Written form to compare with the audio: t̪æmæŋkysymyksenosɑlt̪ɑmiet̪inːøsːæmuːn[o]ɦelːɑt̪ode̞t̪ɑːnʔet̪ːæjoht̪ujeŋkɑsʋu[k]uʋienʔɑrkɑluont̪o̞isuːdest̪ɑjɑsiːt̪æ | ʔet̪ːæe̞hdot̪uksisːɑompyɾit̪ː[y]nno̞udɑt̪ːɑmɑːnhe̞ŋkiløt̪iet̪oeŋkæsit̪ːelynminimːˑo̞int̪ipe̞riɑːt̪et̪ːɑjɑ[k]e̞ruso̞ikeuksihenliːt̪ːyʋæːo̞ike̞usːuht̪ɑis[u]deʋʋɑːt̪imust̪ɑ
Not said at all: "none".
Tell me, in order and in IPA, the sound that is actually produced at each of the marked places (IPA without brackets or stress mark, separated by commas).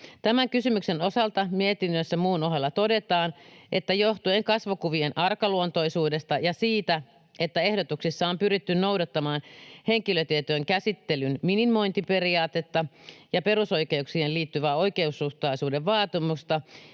o, k, y, p, uː